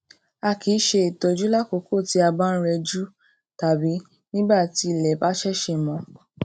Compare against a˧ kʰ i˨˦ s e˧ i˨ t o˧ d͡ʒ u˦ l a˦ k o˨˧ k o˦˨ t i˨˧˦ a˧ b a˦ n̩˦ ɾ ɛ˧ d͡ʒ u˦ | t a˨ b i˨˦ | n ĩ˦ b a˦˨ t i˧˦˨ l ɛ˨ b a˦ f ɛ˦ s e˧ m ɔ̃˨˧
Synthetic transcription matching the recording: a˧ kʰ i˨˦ ʃ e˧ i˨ t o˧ d͡ʒ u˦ l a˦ k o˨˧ k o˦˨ t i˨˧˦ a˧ b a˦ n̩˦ ɾ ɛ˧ d͡ʒ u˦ | t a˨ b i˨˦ | n ĩ˦ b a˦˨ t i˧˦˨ l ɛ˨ b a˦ ʃ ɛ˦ ʃ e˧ m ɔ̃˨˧